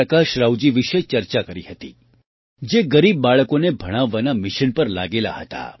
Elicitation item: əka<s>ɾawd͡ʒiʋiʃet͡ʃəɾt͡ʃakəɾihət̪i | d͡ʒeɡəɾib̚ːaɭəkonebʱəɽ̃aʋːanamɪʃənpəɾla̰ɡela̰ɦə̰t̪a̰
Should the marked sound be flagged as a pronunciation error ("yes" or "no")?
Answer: yes